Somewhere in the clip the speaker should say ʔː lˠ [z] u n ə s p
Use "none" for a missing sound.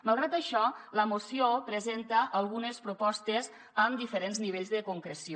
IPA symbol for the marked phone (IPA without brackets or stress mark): ɣ